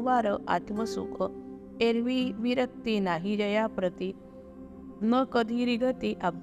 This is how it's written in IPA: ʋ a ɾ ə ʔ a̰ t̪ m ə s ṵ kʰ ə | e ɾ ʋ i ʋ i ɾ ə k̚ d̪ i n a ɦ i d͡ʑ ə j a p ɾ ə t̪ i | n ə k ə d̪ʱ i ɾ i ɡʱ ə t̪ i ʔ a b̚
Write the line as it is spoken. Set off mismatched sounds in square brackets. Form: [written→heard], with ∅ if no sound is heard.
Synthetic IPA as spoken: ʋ a ɾ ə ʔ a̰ t̪ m ə s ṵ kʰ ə | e ɾ ʋ i ʋ i ɾ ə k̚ [d̪→t̪] i n a ɦ i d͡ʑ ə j a p ɾ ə t̪ i | n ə k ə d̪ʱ i ɾ i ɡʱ ə t̪ i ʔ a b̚